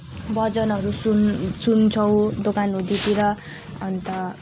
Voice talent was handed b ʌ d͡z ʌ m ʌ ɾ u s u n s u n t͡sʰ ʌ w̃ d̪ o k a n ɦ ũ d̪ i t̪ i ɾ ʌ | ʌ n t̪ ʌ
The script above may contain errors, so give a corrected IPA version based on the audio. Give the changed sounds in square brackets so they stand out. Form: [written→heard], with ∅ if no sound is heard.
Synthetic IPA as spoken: b ʌ d͡z ʌ [m→n] ʌ ɾ u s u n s u n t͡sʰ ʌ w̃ d̪ o k a n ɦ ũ d̪ i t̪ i ɾ ʌ | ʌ n t̪ ʌ